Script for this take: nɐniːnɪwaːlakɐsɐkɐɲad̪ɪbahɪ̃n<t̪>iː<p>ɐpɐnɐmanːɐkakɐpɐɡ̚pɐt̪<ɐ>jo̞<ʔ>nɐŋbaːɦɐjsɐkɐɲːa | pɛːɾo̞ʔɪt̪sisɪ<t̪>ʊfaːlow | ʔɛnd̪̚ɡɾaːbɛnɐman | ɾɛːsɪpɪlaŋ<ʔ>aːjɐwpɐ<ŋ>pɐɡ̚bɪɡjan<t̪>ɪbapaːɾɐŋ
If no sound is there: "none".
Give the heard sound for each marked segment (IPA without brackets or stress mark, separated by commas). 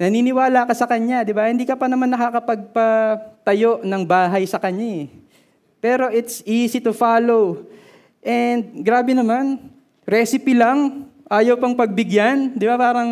d̪, k, ɐ, ʔ, t̪, ʔ, ŋ, d̪